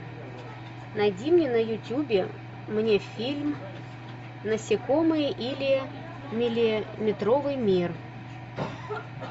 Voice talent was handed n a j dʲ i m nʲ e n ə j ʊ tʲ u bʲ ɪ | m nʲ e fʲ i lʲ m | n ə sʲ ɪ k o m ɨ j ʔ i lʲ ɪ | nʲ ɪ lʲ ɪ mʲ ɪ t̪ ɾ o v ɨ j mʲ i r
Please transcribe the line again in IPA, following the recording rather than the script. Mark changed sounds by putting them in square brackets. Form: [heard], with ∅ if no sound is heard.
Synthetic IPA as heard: n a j dʲ i m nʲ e n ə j ʊ tʲ u bʲ ɪ | m nʲ e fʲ i lʲ m | n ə sʲ ɪ k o m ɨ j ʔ i lʲ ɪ | [mʲ] ɪ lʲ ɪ mʲ ɪ t̪ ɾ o v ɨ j mʲ i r